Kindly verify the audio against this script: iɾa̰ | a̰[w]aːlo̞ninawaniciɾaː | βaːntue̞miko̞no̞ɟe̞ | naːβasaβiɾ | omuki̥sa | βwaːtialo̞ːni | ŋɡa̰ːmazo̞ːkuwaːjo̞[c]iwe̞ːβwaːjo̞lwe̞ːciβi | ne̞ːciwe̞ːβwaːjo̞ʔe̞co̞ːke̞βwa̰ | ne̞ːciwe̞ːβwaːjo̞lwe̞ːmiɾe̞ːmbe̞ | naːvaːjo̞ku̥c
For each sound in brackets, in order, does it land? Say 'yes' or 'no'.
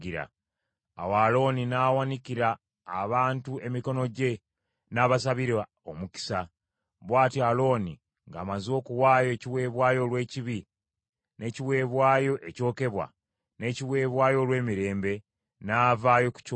yes, yes

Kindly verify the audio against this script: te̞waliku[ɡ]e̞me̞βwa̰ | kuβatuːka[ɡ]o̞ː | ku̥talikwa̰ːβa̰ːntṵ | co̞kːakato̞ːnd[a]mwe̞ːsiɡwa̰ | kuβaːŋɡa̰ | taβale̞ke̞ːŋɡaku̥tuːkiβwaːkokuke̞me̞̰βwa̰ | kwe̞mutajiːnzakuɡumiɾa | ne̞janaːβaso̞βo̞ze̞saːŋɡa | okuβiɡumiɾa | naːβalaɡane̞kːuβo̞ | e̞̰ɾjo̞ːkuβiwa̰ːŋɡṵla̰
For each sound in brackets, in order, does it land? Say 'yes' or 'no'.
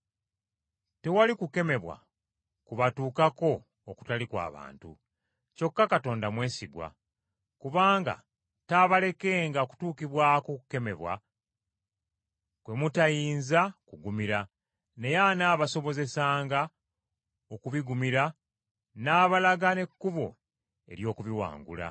no, no, yes

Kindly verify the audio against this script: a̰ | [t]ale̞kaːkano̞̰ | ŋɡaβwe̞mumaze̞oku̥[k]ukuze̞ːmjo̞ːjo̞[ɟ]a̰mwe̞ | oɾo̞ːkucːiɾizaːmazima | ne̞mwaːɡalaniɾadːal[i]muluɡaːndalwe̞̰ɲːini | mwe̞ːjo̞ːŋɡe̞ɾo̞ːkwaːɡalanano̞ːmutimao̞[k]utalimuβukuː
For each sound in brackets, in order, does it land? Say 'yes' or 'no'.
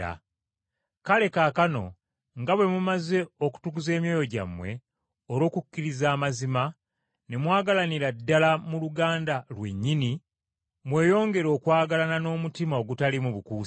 no, no, yes, no, no

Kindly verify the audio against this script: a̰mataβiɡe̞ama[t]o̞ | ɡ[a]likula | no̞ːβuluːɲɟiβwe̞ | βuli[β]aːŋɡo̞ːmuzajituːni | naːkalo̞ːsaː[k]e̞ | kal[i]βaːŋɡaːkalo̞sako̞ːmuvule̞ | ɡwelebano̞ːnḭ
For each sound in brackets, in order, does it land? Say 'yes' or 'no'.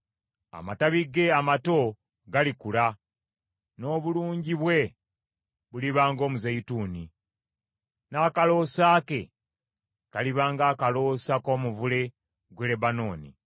yes, yes, yes, yes, yes

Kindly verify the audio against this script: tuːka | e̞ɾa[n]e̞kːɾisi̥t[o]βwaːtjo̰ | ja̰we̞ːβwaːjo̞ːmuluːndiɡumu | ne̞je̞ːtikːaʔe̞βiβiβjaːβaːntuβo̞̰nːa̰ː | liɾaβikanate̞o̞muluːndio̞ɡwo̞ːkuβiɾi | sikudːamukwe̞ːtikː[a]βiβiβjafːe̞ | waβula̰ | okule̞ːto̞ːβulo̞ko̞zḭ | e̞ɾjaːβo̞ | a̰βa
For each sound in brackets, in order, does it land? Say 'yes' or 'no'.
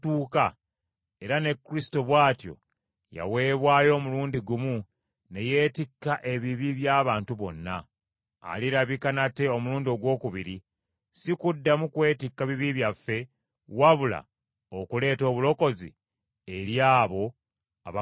yes, yes, yes

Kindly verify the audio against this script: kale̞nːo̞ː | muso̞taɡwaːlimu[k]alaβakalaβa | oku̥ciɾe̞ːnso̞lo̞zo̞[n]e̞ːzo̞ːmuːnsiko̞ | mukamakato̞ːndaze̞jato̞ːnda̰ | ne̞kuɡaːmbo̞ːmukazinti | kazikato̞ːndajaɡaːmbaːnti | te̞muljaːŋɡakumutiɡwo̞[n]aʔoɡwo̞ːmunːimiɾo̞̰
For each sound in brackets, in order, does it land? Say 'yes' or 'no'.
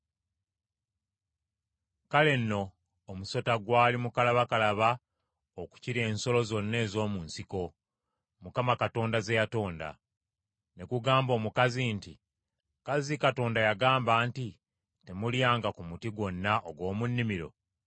yes, no, no

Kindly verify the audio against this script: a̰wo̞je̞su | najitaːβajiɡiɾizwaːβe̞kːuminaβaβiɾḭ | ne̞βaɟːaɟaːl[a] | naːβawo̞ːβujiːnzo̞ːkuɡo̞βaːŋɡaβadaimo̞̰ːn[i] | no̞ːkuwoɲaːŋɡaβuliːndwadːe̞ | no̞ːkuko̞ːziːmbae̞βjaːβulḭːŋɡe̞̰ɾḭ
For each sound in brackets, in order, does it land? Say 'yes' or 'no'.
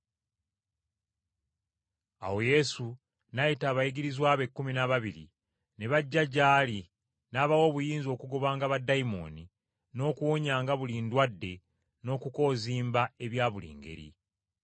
no, yes

